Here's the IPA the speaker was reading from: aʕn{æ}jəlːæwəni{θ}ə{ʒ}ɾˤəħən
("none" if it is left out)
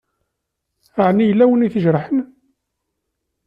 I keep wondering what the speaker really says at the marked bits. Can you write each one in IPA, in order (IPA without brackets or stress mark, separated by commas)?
i, θ, ʒ